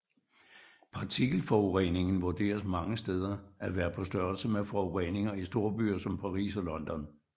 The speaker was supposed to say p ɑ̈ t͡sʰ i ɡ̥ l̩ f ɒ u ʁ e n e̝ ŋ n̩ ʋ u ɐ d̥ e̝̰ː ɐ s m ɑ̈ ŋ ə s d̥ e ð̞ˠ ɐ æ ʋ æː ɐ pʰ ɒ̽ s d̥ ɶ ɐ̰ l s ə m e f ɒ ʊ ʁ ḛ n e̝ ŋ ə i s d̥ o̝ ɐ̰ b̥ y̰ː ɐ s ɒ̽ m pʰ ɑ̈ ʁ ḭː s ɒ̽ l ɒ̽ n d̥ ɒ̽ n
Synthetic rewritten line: pʰ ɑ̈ t͡sʰ i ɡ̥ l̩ f ɒ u ʁ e n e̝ ŋ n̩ ʋ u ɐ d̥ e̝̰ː ɐ s m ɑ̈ ŋ ə s d̥ e ð̞ˠ ɐ æ ʋ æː ɐ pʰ ɒ̽ s d̥ ɶ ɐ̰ l s ə m e f ɒ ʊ ʁ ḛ n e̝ ŋ ɐ i s d̥ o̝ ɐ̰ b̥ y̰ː ɐ s ɒ̽ m pʰ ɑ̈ ʁ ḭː s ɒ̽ l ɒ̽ n d̥ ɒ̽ n